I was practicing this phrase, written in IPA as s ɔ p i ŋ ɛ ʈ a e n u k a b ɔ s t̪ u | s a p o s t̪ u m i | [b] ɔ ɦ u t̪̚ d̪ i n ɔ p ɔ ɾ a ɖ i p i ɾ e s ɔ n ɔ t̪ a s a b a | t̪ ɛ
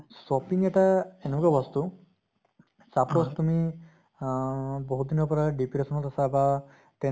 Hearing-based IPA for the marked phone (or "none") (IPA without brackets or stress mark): b